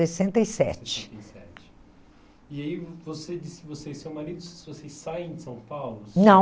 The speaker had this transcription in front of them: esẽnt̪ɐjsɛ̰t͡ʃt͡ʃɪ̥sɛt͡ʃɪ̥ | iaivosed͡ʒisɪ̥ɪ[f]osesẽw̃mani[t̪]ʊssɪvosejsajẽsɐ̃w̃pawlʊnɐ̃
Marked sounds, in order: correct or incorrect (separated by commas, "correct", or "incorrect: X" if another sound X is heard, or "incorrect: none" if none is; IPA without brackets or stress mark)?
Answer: incorrect: v, incorrect: d̪